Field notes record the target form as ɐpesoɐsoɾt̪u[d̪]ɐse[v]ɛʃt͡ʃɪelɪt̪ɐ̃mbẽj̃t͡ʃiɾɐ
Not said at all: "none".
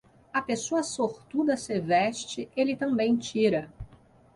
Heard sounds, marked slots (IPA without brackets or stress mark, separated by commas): d̪, v